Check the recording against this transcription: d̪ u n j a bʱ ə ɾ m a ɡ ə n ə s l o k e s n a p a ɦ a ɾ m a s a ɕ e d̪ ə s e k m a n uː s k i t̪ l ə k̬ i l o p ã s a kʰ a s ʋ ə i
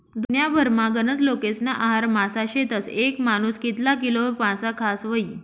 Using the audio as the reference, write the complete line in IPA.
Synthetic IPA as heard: d̪ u n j a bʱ ə ɾ m a ɡ ə n ə t͡s l o k e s n a ʔ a ɦ a ɾ m a s a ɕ e t̪ ə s e k m a n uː s k i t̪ l a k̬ i l o p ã s a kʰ a s ʋ ə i